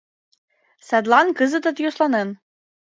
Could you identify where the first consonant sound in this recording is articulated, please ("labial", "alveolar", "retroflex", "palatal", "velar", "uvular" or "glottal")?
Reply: alveolar